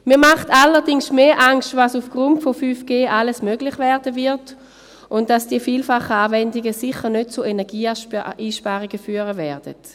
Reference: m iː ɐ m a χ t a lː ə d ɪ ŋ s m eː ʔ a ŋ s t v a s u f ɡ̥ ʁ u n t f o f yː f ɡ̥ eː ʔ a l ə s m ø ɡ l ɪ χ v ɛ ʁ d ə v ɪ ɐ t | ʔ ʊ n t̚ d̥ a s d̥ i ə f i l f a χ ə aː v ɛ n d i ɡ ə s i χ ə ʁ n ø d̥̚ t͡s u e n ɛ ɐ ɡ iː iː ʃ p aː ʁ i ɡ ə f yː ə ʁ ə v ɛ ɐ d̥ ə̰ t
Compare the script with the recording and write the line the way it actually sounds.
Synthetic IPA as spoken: m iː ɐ m a χ t a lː ə d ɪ ŋ s m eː ʔ a ŋ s t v a s u f ɡ̥ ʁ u n t f o f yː f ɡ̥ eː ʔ a l ə s m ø ɡ l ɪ χ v ɛ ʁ d ə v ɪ ɐ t | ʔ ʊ n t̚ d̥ a s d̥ i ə f iː l f a χ ə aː v ɛ n d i ɡ ə s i χ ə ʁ n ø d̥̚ t͡s u e n ɛ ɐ ɡ iː iː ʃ p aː ʁ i ɡ ə f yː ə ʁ ə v ɛ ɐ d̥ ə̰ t